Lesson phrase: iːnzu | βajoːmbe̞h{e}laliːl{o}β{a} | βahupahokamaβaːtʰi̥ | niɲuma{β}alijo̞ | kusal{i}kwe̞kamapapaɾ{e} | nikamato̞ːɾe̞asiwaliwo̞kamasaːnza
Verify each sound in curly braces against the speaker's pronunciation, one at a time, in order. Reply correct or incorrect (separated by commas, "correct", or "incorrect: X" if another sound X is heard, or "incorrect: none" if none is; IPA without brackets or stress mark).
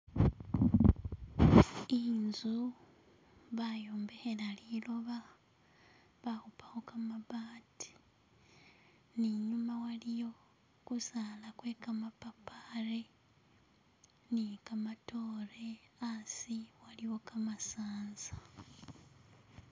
correct, correct, correct, incorrect: w, incorrect: a, correct